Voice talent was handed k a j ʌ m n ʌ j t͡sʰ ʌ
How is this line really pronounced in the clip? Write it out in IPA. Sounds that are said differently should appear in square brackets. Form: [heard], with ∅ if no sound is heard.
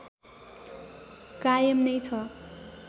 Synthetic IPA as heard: k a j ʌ m n ʌ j t͡sʰ ʌ